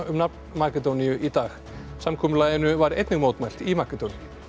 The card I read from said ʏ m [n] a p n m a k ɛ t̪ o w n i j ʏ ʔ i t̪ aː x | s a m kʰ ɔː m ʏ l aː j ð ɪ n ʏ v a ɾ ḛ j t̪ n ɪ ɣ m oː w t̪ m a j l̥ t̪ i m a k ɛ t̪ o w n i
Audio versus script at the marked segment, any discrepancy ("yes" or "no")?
no